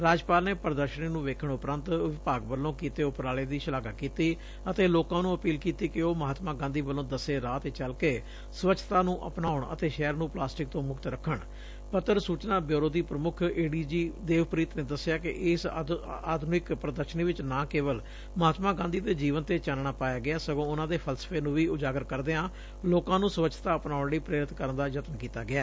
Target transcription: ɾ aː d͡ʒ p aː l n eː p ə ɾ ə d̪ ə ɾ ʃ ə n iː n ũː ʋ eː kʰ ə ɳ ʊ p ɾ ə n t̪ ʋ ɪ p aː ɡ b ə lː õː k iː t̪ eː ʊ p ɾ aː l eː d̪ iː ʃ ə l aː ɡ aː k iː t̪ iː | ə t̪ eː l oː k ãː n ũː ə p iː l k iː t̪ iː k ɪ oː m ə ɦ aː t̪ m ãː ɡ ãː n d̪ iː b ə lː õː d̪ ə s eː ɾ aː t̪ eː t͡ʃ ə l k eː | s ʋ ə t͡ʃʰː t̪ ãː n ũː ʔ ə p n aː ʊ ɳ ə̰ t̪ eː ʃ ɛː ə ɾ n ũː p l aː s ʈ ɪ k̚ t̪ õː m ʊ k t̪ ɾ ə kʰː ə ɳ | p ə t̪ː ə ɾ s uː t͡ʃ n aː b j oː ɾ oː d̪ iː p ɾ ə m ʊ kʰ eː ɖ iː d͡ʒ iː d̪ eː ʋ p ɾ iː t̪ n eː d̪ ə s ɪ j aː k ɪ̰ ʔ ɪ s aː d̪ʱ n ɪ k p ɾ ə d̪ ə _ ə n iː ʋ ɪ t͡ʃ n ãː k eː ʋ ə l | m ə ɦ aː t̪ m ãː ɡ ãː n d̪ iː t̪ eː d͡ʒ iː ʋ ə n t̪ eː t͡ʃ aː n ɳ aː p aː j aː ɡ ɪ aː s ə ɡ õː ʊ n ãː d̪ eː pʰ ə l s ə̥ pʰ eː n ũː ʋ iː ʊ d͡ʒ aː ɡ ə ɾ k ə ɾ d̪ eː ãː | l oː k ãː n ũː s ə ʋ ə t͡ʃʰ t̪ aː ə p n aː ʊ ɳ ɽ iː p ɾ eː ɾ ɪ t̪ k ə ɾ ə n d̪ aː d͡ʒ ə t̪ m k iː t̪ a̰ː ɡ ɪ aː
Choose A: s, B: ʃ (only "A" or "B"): B